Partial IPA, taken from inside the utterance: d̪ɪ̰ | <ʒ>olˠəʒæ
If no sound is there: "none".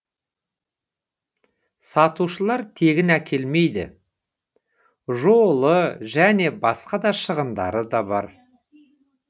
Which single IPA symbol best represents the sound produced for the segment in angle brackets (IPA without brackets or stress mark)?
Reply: ʒ